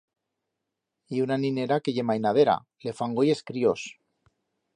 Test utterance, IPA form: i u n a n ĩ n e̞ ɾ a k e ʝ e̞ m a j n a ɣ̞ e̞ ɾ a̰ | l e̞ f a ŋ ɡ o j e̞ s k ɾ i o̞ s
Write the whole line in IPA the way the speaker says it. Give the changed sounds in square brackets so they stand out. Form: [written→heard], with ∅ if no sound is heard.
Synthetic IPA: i u n a n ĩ n e̞ ɾ a k e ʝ e̞ m a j n a [ɣ̞→ð̞] e̞ ɾ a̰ | l e̞ f a ŋ ɡ o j e̞ s k ɾ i o̞ s